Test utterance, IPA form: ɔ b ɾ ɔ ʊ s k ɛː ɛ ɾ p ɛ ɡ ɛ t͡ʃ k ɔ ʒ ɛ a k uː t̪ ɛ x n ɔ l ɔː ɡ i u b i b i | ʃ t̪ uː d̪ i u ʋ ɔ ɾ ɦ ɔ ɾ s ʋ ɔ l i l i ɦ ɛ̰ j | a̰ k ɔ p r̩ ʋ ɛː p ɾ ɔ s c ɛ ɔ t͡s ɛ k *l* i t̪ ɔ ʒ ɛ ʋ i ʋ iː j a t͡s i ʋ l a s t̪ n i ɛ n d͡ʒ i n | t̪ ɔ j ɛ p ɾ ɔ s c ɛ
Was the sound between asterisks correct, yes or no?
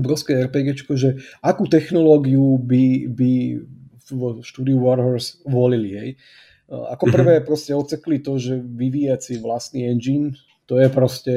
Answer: yes